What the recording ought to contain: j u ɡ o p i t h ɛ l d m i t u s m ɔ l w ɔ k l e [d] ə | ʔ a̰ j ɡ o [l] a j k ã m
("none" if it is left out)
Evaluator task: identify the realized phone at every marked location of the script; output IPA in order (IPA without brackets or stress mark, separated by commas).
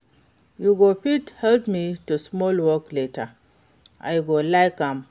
t, l